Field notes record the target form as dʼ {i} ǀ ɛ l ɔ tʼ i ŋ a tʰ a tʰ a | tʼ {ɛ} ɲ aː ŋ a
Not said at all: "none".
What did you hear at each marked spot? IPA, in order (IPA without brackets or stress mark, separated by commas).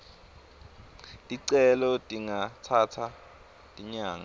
i, i